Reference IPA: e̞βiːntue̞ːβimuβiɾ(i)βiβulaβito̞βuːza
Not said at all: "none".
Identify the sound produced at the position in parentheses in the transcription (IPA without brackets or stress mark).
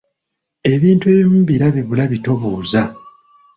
a